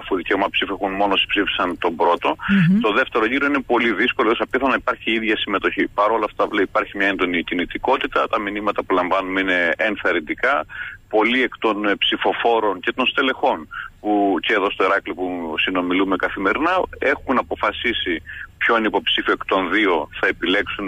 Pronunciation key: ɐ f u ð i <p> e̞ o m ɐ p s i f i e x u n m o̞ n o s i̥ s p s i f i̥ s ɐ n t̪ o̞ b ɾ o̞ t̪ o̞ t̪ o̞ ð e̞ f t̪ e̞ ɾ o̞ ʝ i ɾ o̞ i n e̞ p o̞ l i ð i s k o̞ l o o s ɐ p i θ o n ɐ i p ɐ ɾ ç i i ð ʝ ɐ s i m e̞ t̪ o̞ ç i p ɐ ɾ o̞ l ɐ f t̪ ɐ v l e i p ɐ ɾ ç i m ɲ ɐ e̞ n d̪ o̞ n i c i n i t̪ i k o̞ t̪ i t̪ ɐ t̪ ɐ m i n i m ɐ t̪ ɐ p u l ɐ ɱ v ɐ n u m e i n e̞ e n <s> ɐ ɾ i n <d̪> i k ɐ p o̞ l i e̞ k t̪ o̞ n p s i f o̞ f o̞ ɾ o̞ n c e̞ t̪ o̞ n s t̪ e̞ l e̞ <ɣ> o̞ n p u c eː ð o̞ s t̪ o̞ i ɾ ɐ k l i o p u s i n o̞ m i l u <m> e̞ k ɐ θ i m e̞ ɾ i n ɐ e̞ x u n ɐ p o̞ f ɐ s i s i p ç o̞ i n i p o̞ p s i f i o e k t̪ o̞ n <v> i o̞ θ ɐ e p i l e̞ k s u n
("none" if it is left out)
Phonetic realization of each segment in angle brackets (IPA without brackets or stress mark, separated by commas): c, θ, d̪, x, m, ð